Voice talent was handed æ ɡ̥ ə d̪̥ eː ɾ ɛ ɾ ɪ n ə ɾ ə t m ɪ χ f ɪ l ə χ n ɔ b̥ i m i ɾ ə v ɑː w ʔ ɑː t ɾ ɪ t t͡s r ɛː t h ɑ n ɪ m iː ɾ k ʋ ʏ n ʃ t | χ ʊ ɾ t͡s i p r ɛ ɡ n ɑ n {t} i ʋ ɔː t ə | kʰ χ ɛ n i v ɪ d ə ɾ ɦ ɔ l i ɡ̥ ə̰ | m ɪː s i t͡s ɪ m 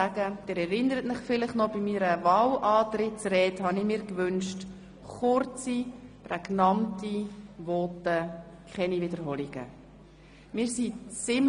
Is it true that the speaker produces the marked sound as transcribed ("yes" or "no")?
yes